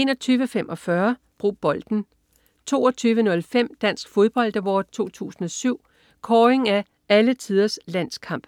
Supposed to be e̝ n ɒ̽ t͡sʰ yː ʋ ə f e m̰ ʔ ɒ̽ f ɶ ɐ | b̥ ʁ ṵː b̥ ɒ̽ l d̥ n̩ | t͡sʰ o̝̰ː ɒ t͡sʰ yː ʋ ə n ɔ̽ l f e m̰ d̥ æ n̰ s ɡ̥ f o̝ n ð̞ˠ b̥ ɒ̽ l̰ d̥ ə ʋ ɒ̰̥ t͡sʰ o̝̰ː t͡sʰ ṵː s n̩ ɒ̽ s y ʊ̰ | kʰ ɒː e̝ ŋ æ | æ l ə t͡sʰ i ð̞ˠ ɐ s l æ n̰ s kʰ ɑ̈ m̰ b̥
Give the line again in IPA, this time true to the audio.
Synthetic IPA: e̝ n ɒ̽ t͡sʰ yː ʋ ə f e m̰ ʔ ɒ̽ f ɶ ɐ | b̥ ʁ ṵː b̥ ɒ̽ l d̥ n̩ | t͡sʰ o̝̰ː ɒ t͡sʰ yː ʋ ə n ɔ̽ l f e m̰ d̥ æ n̰ s ɡ̥ f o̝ ð̞ˠ b̥ ɒ̽ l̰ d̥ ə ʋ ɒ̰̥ t͡sʰ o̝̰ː t͡sʰ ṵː s n̩ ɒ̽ s y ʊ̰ | kʰ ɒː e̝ ŋ æ | æ l ə t͡sʰ i ð̞ˠ ɐ s l æ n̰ s kʰ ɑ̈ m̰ b̥